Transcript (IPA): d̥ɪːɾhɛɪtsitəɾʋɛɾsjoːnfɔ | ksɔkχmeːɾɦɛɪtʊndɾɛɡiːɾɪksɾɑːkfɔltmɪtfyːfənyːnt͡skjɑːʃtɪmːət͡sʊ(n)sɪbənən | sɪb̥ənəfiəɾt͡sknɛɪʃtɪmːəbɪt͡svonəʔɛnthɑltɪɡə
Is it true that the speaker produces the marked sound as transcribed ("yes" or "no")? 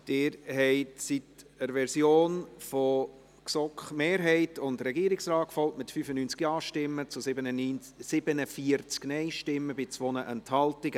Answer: no